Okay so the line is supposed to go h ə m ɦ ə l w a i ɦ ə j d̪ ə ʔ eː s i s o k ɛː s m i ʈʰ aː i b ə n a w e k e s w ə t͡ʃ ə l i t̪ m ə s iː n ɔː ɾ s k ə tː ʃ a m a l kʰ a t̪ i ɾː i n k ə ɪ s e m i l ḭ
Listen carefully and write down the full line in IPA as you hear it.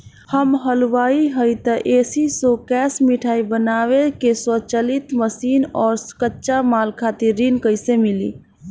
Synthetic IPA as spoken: h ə m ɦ ə l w a i ɦ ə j t̪ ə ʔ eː s i s o k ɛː s m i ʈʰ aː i b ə n a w e k e s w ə t͡ʃ ə l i t̪ m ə s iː n ɔː ɾ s k ə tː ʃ a m a l kʰ a t̪ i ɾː i n k ə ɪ s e m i l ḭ